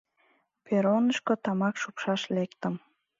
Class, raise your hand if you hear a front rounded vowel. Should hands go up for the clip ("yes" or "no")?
no